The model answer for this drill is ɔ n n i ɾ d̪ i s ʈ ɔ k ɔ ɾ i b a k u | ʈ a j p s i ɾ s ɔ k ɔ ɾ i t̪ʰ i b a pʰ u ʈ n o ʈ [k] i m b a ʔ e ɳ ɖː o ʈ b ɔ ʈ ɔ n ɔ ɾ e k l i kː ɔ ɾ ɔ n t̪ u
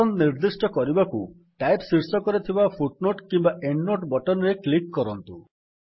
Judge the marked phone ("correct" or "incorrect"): correct